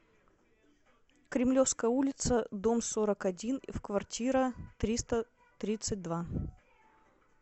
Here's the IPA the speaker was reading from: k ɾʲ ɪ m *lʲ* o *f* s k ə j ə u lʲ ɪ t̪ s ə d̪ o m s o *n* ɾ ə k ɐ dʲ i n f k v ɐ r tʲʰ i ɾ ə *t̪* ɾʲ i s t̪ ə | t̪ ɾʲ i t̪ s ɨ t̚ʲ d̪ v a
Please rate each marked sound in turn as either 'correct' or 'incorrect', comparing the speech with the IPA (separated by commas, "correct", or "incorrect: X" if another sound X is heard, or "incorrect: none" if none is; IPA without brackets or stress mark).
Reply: correct, correct, incorrect: none, correct